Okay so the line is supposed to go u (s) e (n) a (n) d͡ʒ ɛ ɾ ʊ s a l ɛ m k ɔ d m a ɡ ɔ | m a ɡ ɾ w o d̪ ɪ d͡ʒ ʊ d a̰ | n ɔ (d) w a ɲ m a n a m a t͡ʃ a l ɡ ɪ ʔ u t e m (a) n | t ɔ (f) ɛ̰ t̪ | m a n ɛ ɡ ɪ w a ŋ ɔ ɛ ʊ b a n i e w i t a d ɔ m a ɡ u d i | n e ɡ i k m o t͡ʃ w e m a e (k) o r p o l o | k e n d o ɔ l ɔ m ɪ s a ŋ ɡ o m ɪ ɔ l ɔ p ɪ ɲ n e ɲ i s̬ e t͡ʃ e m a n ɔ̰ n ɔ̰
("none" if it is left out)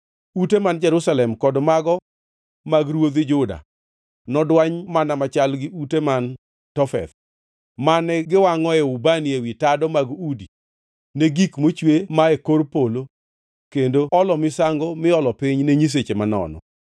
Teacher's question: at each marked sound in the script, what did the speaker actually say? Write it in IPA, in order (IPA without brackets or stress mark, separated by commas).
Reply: t, m, n, d, a, f, k